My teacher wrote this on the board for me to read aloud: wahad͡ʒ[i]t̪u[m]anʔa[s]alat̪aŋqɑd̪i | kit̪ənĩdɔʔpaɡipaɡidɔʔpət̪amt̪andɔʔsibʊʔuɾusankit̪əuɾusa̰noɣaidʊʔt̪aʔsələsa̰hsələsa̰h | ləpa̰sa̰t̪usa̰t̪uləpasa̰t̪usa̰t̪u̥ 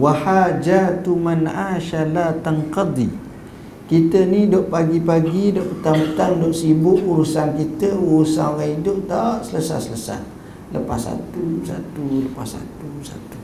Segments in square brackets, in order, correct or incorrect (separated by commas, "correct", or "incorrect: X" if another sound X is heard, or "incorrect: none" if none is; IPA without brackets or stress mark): incorrect: a, correct, incorrect: ʃ